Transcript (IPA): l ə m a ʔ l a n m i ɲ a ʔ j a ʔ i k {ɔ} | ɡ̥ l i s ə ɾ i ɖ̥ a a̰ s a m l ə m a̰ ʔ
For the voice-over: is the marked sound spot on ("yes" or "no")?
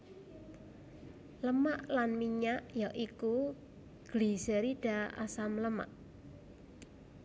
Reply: no